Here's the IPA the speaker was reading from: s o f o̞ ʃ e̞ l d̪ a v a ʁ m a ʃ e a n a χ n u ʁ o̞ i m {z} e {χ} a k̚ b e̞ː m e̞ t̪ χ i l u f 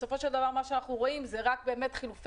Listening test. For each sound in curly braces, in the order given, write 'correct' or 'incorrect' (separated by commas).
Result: correct, incorrect